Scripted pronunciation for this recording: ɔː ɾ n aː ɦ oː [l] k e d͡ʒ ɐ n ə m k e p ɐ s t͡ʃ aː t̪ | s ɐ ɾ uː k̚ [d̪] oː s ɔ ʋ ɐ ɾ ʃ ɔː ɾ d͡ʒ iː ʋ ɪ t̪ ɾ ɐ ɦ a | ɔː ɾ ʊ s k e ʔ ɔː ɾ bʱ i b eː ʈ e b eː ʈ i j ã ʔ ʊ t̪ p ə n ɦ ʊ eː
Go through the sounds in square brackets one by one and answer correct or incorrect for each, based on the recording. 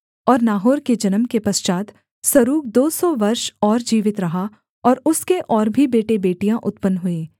incorrect: ɾ, correct

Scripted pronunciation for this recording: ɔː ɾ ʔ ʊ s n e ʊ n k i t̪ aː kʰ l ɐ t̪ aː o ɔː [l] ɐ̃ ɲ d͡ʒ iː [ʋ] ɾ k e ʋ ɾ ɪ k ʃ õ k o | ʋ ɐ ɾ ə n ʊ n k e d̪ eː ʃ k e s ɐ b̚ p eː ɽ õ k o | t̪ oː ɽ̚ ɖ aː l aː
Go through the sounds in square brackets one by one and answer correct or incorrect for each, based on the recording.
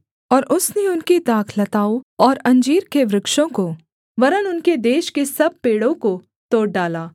incorrect: ɾ, incorrect: none

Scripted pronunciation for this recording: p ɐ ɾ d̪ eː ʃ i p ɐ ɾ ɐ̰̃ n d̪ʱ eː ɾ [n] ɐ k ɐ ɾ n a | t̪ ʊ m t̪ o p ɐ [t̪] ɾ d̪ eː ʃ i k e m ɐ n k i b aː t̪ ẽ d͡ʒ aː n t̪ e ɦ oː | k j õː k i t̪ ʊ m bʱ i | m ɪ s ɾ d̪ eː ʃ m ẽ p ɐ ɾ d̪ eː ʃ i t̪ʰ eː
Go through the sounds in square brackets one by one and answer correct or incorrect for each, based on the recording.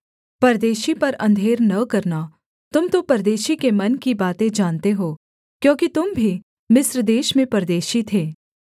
correct, incorrect: none

